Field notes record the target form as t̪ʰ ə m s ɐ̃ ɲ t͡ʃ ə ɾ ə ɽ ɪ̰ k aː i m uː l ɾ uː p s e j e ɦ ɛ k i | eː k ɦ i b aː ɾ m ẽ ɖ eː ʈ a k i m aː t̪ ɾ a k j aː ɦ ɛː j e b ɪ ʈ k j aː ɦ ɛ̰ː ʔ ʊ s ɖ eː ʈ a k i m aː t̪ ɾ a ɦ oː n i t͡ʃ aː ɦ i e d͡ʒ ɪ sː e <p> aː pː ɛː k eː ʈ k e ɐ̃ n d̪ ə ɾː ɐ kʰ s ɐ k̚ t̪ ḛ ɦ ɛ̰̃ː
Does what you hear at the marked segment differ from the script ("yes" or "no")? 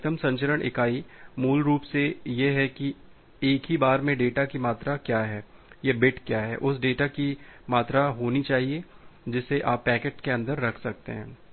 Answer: yes